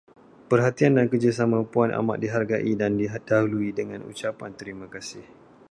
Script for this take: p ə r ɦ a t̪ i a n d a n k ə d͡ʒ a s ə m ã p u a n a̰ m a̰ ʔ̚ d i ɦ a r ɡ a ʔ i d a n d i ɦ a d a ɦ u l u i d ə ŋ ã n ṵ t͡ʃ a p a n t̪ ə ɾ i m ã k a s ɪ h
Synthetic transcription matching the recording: p ə r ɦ a t̪ i a n d a n k ə d͡ʒ a s a m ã p u a n a̰ m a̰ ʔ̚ d i ɦ a r ɡ a ʔ i d a n d i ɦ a d a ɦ u l u i d ə ŋ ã n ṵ t͡ʃ a p a n t̪ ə ɾ i m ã k a s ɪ h